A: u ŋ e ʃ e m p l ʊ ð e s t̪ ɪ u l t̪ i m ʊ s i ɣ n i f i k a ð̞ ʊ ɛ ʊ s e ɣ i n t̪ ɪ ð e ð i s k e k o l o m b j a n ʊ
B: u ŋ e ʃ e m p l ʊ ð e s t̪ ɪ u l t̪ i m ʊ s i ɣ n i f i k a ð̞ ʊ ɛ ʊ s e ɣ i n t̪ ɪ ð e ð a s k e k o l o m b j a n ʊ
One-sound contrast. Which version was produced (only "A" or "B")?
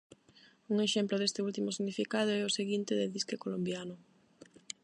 A